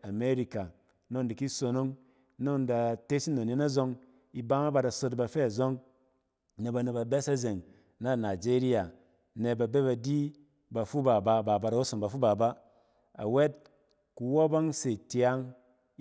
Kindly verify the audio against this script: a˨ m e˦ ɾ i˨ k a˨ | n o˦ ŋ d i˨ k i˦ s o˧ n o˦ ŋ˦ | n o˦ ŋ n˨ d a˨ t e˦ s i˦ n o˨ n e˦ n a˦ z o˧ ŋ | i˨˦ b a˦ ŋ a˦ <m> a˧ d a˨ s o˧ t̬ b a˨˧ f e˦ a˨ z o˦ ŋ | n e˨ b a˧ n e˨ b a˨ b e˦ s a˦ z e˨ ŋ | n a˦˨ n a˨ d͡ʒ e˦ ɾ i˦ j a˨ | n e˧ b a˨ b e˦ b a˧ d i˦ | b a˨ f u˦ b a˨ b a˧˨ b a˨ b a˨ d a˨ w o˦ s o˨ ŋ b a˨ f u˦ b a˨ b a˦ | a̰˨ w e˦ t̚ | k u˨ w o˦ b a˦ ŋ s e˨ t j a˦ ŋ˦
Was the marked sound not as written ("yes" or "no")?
yes